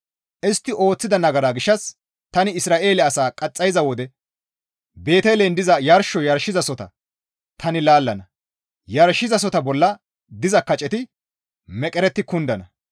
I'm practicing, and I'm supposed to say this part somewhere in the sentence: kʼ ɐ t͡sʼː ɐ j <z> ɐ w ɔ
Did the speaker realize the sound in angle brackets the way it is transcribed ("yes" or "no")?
yes